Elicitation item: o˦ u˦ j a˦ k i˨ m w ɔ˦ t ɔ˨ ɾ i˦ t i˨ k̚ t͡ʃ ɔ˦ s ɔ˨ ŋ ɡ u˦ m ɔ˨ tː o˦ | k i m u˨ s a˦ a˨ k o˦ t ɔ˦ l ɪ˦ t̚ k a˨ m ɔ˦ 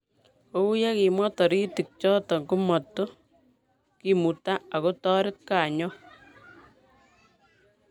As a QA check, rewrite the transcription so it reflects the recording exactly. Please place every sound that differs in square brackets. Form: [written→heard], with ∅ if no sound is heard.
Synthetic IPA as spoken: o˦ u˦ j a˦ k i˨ m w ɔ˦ t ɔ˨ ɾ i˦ t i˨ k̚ t͡ʃ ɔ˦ [s→t] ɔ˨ ŋ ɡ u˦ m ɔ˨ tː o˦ | k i m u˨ [s→t] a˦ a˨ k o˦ t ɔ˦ [l→ɾ] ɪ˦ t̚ k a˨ [m→ɲ] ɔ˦